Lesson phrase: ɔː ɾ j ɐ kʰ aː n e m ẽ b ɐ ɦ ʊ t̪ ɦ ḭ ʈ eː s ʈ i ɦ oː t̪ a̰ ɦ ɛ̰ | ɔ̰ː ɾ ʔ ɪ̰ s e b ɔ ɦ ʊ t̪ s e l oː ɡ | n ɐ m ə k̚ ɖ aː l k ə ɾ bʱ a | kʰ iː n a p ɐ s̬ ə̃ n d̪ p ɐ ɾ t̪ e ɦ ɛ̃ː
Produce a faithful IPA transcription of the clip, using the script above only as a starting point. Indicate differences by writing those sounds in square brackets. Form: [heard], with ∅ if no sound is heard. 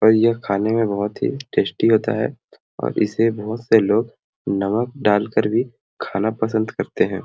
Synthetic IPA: ɔː ɾ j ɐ kʰ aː n e m ẽ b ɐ ɦ ʊ t̪ ɦ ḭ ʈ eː s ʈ i ɦ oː t̪ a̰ ɦ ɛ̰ | ɔ̰ː ɾ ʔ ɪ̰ s e b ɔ ɦ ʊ t̪ s e l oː ɡ | n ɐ m ə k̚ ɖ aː l k ə ɾ bʱ [i] | kʰ [aː] n a p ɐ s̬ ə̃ n d̪ [k] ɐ ɾ t̪ e ɦ ɛ̃ː